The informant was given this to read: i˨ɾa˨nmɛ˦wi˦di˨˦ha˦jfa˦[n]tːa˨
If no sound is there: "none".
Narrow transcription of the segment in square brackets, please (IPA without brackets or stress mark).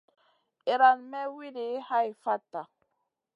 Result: none